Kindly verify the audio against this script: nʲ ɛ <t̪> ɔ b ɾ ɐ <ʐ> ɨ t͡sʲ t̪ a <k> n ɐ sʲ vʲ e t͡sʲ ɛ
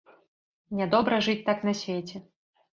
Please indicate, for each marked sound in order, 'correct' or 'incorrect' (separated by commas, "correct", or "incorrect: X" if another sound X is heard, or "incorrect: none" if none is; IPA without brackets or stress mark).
incorrect: d̪, correct, correct